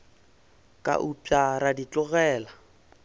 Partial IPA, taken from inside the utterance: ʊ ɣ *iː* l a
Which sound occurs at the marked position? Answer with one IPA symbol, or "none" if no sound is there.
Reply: ɛː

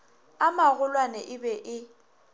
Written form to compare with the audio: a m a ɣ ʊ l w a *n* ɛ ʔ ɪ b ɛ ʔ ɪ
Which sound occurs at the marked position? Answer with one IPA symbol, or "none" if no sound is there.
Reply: n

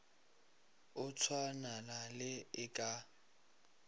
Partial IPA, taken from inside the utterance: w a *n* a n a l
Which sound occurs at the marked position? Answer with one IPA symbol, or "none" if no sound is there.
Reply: n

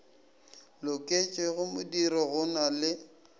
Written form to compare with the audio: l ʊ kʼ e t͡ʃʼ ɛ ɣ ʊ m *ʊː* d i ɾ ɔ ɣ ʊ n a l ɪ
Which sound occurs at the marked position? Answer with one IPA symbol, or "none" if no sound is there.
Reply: ʊ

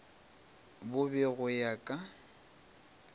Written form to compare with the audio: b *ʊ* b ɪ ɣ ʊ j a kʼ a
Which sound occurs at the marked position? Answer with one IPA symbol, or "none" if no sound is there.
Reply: ʊ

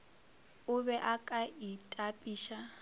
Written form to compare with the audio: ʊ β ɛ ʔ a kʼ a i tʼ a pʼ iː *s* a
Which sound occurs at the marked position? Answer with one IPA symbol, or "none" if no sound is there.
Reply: ʃ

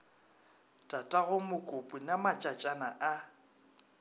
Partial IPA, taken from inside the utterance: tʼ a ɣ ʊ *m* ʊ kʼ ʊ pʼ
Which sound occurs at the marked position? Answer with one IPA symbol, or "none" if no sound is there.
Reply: m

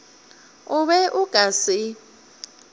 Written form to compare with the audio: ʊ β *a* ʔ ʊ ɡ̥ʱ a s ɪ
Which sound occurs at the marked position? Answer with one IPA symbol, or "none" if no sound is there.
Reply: ɛ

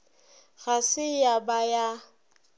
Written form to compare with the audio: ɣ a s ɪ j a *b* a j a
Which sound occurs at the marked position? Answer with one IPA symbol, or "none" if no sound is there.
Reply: b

